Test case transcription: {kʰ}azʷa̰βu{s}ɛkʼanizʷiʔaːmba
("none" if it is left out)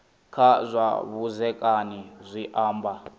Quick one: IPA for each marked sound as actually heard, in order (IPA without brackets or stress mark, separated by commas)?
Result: kʰ, z